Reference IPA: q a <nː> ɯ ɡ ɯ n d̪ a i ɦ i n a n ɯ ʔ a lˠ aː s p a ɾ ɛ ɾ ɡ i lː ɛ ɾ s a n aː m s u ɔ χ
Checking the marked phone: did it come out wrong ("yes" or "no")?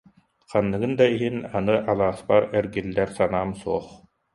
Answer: no